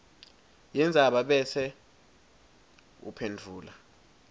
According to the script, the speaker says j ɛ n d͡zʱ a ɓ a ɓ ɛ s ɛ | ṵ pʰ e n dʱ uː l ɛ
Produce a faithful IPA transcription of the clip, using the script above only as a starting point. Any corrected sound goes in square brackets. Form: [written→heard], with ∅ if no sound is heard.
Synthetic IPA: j ɛ n d͡zʱ a ɓ a ɓ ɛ s ɛ | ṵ pʰ e n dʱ uː l [ɛ→a]